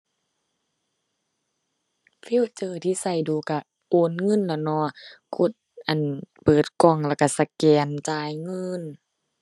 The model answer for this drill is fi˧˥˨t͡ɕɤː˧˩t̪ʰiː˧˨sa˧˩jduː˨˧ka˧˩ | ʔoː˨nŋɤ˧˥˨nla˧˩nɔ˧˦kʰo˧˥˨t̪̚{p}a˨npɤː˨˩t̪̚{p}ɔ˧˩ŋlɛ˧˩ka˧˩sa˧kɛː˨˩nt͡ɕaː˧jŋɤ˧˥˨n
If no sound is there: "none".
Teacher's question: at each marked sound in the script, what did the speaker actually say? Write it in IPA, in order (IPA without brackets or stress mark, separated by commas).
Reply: ʔ, k